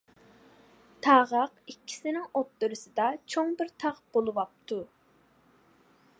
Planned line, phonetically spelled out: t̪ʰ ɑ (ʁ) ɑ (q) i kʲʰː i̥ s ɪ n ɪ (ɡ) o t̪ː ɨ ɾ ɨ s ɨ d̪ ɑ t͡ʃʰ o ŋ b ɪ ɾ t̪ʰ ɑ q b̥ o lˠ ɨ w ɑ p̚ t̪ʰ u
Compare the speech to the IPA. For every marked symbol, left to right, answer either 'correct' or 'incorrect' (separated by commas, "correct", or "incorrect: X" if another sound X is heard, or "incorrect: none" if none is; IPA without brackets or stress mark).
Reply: correct, correct, incorrect: ŋ